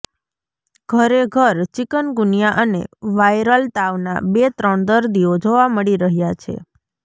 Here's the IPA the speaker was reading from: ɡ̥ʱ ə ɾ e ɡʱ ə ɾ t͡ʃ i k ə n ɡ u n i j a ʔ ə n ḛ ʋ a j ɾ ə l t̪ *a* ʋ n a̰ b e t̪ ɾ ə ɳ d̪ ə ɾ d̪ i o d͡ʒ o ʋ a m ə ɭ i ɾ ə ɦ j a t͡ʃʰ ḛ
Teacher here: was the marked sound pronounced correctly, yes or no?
yes